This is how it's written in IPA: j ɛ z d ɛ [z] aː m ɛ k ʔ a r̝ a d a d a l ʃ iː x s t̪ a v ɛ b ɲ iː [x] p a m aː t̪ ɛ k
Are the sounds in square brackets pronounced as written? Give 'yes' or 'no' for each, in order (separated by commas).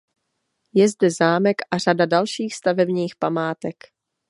yes, yes